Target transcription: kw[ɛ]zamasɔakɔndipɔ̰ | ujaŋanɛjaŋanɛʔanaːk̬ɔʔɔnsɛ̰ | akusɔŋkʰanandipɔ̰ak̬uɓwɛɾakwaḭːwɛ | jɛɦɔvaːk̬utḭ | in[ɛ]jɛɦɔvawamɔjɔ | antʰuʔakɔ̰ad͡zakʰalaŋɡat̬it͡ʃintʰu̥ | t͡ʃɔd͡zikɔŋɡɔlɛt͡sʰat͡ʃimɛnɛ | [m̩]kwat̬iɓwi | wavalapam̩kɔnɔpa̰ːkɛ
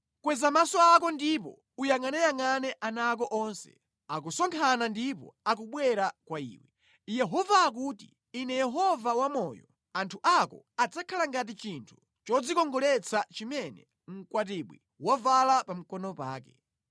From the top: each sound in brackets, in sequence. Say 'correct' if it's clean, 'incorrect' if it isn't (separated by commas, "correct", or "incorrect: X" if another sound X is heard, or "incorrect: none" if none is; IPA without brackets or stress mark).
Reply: correct, correct, incorrect: ŋ̩